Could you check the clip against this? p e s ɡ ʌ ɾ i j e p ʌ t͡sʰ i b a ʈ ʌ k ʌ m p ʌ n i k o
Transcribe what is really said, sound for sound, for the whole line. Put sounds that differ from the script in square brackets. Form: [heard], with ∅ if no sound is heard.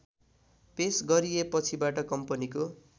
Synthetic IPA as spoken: p e s ɡ ʌ ɾ i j e p ʌ t͡sʰ i b a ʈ ʌ k ʌ m p ʌ n i k o